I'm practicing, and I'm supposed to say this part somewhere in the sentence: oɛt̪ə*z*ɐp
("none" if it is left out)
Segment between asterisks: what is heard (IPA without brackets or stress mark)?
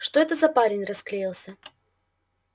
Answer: z